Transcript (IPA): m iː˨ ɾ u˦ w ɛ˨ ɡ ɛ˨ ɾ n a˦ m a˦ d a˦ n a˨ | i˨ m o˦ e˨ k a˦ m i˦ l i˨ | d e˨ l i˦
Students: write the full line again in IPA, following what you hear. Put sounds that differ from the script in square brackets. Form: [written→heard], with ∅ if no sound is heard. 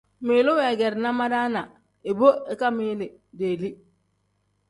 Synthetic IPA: m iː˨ [ɾ→l] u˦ w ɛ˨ ɡ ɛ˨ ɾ n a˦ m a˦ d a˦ n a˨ | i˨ [m→b] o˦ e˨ k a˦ m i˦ l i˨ | d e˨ l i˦